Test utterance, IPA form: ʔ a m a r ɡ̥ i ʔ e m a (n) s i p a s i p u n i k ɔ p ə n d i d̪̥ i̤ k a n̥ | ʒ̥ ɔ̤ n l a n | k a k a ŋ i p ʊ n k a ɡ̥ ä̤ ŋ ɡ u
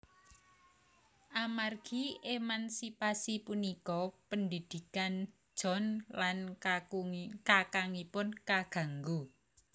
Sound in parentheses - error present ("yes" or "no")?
no